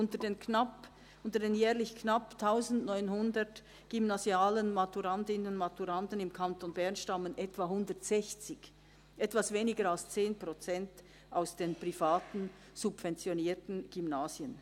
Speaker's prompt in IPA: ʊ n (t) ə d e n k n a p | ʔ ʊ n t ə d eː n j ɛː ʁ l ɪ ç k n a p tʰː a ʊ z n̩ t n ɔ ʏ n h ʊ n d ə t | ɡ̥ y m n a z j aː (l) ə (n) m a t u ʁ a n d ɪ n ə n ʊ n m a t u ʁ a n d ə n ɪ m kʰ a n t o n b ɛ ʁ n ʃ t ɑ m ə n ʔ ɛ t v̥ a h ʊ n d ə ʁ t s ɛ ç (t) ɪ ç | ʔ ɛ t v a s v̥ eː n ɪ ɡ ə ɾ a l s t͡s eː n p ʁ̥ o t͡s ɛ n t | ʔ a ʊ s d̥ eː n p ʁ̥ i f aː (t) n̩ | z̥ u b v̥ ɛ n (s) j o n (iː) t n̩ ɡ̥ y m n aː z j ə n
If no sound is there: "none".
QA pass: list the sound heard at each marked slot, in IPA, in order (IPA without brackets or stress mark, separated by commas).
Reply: t, l, n, t͡s, t, t͡s, iː